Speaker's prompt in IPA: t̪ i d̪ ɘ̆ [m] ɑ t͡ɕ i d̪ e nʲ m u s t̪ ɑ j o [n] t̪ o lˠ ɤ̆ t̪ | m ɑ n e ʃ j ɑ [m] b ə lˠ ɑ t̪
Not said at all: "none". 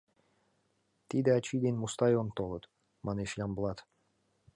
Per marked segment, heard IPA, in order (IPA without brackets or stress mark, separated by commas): none, n, m